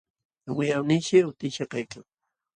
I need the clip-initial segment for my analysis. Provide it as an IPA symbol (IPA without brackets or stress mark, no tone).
w